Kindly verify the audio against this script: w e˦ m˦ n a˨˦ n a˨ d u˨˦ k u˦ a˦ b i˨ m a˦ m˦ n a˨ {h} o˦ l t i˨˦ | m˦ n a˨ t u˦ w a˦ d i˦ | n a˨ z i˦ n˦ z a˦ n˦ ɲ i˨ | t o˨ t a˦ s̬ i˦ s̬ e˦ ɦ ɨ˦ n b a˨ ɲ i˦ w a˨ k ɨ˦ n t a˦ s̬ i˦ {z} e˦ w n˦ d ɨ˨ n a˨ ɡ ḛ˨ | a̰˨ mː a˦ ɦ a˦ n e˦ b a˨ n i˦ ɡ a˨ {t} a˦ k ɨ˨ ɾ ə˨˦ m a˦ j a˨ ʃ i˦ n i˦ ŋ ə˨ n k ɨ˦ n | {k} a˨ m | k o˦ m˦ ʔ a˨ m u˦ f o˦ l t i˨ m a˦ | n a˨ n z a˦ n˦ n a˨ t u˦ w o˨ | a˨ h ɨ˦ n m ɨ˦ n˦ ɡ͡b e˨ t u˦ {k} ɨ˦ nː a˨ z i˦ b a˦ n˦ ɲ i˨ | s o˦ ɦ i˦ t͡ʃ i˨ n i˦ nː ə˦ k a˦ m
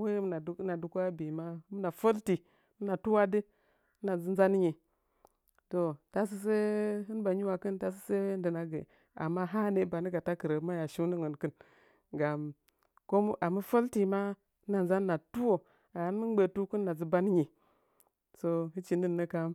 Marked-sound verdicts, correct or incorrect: incorrect: f, incorrect: s, correct, incorrect: ɡ, correct

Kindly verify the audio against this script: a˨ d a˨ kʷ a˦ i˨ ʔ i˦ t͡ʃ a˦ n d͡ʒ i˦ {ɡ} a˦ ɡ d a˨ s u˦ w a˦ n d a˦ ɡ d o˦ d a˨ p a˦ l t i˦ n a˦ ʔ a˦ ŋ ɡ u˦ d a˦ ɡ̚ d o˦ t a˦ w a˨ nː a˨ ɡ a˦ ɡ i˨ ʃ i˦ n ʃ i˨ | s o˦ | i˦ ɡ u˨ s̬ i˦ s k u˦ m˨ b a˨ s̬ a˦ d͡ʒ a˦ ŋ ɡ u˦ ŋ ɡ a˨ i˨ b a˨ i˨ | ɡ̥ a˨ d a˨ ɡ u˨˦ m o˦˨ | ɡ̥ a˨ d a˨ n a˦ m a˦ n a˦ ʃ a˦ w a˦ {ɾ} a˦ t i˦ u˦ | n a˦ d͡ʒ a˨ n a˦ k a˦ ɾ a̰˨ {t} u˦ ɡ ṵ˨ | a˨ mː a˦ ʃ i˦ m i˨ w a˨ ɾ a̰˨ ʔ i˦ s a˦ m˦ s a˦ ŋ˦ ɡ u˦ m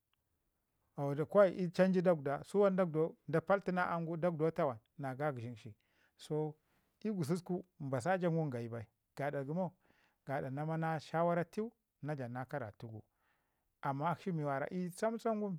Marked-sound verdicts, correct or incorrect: incorrect: d, correct, correct

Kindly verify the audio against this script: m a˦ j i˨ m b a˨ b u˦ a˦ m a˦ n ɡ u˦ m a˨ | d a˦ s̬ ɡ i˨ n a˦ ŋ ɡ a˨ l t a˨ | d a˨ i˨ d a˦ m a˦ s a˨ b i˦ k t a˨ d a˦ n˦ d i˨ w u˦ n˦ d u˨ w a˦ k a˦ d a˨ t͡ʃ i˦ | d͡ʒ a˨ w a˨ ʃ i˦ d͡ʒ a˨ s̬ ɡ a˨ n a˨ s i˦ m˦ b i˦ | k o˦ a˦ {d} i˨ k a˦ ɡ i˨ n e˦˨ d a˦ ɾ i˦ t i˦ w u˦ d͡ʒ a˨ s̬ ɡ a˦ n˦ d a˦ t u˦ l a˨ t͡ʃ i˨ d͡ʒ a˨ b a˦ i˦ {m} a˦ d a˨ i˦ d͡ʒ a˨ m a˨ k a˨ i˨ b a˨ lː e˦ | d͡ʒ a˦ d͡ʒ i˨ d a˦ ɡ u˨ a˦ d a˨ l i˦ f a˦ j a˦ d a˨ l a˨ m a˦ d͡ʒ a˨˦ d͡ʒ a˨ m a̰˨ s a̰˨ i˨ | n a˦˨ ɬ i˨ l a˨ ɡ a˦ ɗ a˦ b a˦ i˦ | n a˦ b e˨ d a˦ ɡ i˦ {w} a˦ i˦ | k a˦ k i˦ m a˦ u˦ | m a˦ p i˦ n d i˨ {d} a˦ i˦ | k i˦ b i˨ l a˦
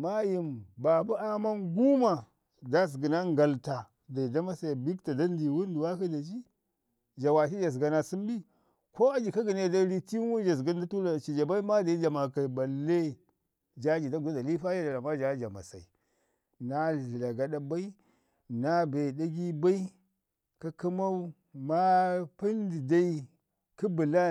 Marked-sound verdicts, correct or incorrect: incorrect: d͡ʒ, correct, incorrect: b, correct

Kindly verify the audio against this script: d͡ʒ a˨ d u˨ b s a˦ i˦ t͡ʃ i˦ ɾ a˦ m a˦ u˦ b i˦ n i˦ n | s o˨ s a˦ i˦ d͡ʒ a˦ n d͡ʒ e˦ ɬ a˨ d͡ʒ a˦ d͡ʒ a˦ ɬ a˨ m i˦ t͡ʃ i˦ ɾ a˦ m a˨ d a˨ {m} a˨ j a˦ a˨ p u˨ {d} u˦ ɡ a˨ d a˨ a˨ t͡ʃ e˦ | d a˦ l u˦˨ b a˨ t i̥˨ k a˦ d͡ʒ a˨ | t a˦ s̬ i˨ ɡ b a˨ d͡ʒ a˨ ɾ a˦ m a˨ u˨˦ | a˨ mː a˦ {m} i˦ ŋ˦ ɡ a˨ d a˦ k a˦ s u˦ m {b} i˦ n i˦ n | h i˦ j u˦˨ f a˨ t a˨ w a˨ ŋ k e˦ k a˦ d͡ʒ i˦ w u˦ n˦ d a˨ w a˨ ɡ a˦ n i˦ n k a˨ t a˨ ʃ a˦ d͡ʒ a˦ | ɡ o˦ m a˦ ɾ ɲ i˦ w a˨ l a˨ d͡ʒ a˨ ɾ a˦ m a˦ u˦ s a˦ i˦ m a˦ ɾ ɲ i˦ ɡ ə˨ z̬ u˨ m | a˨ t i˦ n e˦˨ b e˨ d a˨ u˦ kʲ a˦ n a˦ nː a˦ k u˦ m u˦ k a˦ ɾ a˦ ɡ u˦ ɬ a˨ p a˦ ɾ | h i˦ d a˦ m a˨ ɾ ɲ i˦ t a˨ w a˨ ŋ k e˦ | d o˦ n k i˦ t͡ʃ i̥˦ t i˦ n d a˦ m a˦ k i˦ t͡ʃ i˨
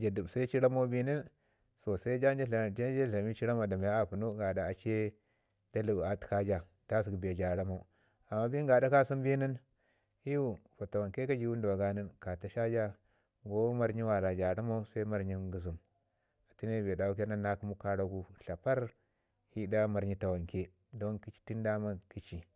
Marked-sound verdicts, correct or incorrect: correct, incorrect: n, incorrect: b, correct

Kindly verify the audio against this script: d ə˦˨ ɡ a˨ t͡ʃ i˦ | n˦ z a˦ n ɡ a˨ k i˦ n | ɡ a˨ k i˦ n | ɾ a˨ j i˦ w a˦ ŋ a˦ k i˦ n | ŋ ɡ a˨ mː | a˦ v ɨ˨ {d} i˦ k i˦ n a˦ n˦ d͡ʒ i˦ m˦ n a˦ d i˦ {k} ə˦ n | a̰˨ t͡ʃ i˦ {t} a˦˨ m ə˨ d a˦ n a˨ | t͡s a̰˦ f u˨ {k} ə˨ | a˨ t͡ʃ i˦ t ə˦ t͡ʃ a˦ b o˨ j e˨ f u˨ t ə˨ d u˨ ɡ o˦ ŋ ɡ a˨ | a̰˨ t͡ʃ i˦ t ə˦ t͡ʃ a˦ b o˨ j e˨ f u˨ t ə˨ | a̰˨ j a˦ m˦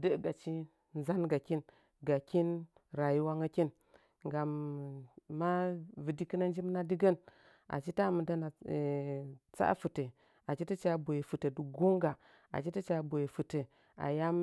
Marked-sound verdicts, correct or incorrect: correct, incorrect: ɡ, correct, incorrect: t

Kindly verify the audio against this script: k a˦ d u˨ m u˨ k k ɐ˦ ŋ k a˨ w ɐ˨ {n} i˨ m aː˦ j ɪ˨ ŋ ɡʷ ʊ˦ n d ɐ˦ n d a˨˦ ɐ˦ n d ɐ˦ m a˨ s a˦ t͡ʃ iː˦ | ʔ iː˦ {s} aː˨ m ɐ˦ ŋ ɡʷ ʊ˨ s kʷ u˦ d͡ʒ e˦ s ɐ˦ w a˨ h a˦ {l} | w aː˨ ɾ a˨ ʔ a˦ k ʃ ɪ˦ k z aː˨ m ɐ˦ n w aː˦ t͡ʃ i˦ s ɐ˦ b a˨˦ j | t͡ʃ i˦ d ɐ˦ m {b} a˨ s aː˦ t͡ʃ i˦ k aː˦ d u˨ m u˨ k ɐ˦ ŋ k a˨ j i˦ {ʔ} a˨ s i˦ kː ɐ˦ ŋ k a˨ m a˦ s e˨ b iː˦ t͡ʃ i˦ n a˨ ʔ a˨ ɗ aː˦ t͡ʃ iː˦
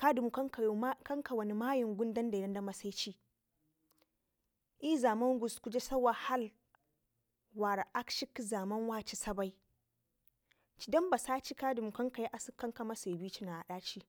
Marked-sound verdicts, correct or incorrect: correct, incorrect: z, correct, correct, correct

